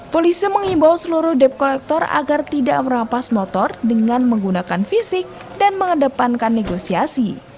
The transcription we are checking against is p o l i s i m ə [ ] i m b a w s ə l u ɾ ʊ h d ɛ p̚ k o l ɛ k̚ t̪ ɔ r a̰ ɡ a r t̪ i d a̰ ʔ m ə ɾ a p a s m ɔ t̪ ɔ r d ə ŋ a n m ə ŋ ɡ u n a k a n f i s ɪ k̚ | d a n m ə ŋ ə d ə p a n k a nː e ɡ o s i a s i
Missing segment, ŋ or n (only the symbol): ŋ